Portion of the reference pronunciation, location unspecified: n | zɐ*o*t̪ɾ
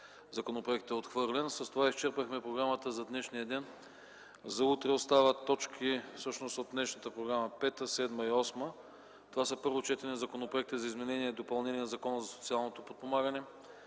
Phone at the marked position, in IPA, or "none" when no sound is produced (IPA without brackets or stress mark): u